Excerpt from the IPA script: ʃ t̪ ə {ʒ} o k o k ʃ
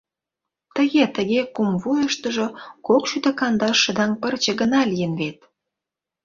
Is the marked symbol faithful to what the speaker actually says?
yes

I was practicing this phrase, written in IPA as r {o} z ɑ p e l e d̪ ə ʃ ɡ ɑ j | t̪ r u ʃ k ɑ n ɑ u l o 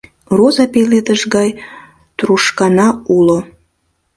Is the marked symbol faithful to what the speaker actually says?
yes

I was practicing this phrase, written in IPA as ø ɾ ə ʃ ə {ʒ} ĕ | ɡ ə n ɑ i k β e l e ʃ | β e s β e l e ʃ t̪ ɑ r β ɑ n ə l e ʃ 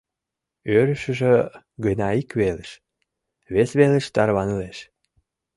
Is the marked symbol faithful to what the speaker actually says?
yes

